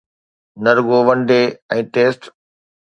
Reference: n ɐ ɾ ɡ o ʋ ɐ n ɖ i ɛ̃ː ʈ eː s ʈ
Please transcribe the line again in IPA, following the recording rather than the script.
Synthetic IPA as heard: n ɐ ɾ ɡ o ʋ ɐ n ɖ e ɛ̃ː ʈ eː s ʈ